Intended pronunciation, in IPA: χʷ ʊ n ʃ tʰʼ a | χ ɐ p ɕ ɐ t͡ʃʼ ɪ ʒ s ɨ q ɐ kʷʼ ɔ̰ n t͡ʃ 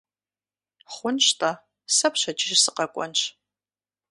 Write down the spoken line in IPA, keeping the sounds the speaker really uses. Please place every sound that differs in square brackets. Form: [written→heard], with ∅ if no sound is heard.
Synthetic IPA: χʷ ʊ n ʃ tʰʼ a | [χ→s] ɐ p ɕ ɐ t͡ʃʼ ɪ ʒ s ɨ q ɐ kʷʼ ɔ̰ n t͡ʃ